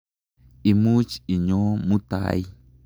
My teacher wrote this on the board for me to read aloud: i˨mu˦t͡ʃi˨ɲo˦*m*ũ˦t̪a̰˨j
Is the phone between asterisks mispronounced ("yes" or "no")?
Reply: no